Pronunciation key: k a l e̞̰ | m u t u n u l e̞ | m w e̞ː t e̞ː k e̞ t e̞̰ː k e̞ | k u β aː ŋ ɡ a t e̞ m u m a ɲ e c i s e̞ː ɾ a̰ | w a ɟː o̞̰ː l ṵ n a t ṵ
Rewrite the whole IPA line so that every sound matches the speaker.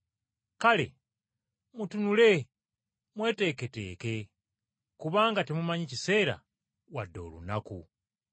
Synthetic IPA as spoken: k a l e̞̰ | m u t u n u l e̞ | m w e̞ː t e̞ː k e̞ t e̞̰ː k e̞ | k u β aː ŋ ɡ a t e̞ m u m a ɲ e c i s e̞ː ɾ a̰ | w a dː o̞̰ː l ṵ n a k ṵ